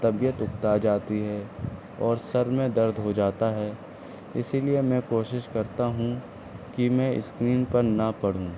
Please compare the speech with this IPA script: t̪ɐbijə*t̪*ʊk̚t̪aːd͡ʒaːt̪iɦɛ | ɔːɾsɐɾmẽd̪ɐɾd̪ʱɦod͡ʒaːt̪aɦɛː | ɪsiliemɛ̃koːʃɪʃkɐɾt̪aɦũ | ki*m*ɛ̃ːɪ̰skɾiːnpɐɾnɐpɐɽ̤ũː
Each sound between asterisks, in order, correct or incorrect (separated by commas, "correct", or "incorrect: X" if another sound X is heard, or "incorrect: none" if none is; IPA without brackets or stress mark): correct, correct